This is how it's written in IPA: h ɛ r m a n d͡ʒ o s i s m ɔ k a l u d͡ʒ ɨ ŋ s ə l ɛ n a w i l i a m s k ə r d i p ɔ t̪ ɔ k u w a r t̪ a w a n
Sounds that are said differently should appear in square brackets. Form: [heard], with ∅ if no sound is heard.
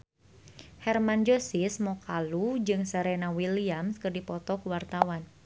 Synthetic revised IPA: h ɛ r m a n d͡ʒ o s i s m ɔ k a l u d͡ʒ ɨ ŋ s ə [ɾ] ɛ n a w i l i a m s k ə r d i p ɔ t̪ ɔ k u w a r t̪ a w a n

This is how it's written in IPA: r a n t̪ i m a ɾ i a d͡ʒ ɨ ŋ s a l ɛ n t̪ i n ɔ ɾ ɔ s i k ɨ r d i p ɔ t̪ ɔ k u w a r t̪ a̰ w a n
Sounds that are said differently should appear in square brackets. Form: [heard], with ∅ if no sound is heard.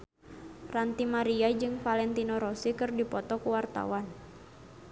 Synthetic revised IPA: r a n t̪ i m a ɾ i a d͡ʒ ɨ ŋ [f] a l ɛ n t̪ i n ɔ ɾ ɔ s i k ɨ r d i p ɔ t̪ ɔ k u w a r t̪ a̰ w a n

